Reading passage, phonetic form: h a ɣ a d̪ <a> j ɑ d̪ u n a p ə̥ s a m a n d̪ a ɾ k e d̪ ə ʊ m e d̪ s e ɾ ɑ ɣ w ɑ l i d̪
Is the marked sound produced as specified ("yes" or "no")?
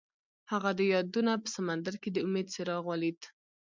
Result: no